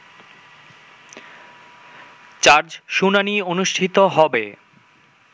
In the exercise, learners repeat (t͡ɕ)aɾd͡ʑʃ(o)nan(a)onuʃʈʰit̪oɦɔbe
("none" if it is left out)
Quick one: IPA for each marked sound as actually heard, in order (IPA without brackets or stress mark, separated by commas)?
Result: t͡ɕ, u, i